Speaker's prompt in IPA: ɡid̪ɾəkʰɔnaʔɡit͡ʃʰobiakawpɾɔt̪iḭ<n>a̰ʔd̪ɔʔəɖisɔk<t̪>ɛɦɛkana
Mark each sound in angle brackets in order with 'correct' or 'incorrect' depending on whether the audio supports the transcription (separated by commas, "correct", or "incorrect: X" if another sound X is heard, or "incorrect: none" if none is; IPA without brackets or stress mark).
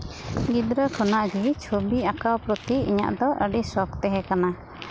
incorrect: ɲ, correct